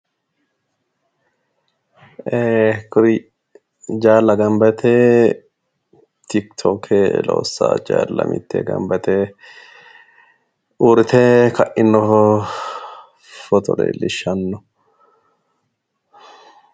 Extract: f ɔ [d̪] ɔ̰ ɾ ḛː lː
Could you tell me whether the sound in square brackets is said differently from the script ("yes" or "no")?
yes